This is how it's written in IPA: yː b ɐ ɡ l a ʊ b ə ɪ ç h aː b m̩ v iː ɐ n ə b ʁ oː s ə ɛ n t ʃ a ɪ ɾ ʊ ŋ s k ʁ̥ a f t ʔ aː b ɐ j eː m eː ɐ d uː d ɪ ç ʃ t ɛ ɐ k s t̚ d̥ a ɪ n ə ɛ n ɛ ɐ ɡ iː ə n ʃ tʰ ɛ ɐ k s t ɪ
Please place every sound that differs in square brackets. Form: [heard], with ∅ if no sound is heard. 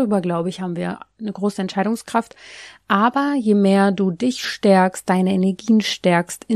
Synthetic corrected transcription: yː b ɐ ɡ l a ʊ b ə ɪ ç h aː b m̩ v iː ɐ n ə [ɡ] ʁ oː s ə ɛ n t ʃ a ɪ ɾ ʊ ŋ s k ʁ̥ a f t ʔ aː b ɐ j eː m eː ɐ d uː d ɪ ç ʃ t ɛ ɐ k s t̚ d̥ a ɪ n ə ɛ n ɛ ɐ ɡ iː ə n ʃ [t] ɛ ɐ k s t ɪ